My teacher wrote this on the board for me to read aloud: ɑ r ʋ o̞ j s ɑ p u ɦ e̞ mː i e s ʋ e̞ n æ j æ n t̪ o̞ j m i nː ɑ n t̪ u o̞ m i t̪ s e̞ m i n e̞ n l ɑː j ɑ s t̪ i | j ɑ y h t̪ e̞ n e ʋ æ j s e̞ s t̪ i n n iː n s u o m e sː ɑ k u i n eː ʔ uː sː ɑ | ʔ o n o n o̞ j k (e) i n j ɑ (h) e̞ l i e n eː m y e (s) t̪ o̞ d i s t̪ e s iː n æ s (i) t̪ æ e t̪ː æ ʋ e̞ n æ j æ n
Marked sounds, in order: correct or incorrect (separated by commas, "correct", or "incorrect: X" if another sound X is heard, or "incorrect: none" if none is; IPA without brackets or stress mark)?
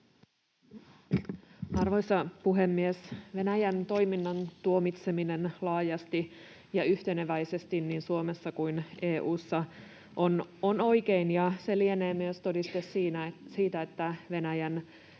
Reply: correct, incorrect: s, correct, incorrect: iː